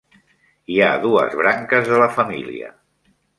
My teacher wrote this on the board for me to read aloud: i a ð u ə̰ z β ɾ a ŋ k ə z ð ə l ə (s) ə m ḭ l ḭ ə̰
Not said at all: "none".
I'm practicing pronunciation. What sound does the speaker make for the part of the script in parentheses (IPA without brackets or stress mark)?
f